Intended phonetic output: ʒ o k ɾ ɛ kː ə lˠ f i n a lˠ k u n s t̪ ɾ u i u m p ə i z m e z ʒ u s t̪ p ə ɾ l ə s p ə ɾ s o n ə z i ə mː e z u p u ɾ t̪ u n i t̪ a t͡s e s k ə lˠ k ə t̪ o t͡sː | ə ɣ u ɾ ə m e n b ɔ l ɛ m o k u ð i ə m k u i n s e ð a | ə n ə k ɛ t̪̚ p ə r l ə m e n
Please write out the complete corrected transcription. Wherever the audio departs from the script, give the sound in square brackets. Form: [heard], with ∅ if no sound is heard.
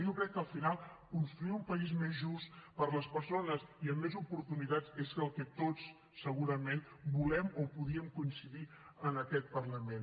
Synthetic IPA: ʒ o k ɾ ɛ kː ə lˠ f i n a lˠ k u n s t̪ ɾ u i u m p ə i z m e z ʒ u s t̪ p ə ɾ l ə s p ə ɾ s o n ə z i ə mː e z u p u ɾ t̪ u n i t̪ a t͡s e s k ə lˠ k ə t̪ o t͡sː | ə ɣ u ɾ ə m e n b [u] l ɛ m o [p] u ð i ə m k u i n s [i] ð [i] | ə n ə k ɛ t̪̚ p ə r l ə m e n